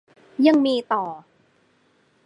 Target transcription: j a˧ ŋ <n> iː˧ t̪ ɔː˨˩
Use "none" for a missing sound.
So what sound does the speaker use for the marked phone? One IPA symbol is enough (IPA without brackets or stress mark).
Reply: m